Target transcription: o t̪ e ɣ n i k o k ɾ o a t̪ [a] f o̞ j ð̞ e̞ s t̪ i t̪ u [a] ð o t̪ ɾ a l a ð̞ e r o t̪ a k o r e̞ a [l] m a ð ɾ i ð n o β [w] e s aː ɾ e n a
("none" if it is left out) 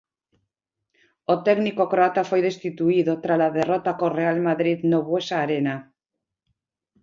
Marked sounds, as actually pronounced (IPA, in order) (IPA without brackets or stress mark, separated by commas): a, i, l, w